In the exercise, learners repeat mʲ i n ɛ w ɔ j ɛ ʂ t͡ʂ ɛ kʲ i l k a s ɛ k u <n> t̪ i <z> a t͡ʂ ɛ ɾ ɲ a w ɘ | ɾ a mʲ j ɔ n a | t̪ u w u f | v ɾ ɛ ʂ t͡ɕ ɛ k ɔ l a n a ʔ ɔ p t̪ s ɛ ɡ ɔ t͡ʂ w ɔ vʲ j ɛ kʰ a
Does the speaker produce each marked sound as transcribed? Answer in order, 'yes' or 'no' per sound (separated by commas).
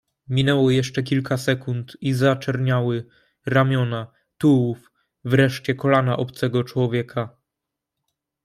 yes, yes